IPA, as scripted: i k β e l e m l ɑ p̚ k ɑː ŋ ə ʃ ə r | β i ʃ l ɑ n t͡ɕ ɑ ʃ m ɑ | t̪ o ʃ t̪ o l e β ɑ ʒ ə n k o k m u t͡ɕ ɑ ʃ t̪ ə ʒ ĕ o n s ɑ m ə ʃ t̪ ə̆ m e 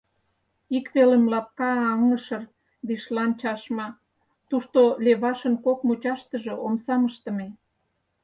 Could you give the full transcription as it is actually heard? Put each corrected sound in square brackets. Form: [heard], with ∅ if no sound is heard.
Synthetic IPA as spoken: i k β e l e m l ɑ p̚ k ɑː ŋ ə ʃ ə r | β i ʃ l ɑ n t͡ɕ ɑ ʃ m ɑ | t̪ [u] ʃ t̪ o l e β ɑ [ʃ] ə n k o k m u t͡ɕ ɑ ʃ t̪ ə ʒ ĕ o [m] s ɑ m ə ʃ t̪ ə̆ m e